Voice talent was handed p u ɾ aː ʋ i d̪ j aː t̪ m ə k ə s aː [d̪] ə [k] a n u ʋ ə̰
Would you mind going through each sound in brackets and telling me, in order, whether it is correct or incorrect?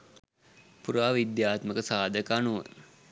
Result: correct, correct

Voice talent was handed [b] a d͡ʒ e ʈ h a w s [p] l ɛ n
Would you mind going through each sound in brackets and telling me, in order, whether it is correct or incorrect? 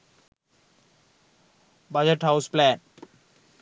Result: correct, correct

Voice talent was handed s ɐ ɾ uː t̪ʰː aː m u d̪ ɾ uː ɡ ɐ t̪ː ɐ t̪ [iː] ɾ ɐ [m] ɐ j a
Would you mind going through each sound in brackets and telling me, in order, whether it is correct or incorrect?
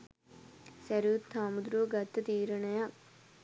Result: correct, incorrect

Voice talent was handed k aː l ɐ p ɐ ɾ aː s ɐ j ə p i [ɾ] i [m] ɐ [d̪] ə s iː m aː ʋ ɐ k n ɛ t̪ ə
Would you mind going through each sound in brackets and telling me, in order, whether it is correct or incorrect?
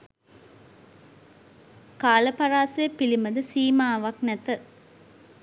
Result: incorrect, correct, correct

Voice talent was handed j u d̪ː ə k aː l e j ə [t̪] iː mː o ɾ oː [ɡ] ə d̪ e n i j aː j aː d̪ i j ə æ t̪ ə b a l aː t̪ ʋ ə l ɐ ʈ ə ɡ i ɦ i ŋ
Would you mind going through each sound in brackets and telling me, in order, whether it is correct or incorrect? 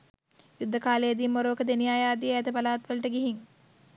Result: incorrect, incorrect

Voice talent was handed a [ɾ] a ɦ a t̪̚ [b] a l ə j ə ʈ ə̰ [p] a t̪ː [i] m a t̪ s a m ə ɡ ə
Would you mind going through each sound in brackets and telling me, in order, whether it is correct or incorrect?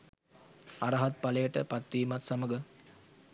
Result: correct, incorrect, correct, incorrect

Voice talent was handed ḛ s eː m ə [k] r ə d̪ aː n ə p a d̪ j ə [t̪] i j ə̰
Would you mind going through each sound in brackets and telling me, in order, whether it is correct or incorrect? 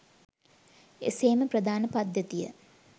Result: incorrect, correct

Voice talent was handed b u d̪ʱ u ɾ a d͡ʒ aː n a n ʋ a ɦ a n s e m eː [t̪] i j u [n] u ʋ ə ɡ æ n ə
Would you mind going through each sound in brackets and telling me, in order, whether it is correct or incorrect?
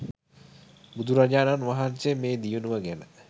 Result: incorrect, correct

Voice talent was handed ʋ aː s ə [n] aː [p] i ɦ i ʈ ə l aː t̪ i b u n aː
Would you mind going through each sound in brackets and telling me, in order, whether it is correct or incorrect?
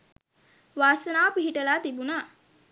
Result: correct, correct

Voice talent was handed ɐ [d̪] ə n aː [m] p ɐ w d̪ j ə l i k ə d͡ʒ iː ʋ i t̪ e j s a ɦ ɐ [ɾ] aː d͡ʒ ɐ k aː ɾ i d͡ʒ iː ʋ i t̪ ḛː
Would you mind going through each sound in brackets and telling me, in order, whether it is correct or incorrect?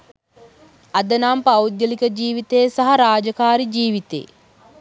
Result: correct, correct, correct

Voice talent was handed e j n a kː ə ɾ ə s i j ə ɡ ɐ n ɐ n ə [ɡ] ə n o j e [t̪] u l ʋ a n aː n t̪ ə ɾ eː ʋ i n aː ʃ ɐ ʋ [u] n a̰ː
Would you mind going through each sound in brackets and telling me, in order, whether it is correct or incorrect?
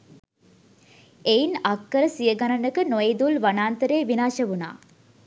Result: incorrect, incorrect, correct

